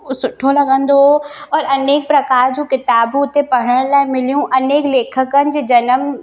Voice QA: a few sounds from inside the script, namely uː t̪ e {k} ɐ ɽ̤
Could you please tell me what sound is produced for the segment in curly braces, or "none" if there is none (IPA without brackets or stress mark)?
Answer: p